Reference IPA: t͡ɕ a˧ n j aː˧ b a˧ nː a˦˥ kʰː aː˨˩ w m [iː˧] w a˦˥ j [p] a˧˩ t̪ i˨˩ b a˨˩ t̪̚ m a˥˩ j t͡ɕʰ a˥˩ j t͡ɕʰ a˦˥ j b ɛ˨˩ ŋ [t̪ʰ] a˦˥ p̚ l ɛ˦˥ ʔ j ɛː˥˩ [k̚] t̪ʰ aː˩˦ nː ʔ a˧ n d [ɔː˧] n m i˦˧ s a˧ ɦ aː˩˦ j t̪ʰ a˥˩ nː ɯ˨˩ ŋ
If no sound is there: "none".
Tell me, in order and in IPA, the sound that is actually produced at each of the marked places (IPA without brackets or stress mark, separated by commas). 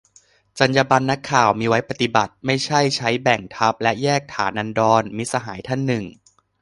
iː˧, p, t̪ʰ, k̚, ɔː˧